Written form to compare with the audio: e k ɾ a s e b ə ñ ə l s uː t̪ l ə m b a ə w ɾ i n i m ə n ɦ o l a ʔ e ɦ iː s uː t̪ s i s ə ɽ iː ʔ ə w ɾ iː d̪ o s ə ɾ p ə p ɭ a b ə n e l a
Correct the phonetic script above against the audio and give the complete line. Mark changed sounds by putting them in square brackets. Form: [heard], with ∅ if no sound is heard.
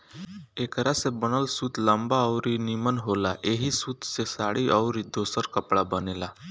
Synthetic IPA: e k ɾ a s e b ə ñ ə l s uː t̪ l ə m b a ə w ɾ i n i m ə n ɦ o l a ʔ e ɦ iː s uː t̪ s [e] s [a] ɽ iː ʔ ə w ɾ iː d̪ o s ə ɾ [k] ə p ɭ a b ə n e l a